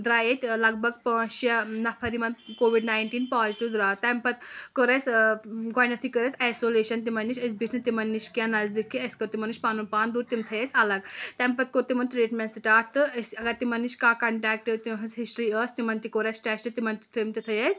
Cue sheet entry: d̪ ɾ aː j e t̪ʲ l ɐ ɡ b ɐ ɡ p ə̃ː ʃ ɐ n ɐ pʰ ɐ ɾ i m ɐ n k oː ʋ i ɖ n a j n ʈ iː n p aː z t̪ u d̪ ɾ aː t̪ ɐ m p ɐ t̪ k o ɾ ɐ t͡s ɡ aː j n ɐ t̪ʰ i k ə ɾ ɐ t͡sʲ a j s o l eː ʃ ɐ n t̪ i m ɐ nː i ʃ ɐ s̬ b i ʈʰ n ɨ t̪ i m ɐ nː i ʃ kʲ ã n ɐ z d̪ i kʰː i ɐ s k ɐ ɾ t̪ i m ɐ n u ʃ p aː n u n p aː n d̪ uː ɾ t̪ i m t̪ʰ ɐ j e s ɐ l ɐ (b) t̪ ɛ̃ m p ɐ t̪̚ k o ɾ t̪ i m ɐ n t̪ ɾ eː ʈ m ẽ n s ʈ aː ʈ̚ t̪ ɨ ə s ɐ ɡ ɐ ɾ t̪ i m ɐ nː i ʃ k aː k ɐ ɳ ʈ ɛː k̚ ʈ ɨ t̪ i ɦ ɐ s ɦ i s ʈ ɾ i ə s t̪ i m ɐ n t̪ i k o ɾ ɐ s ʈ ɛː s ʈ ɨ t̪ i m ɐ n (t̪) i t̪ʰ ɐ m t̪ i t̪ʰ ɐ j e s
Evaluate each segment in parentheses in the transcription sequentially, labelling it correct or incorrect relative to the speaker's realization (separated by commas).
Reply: incorrect, correct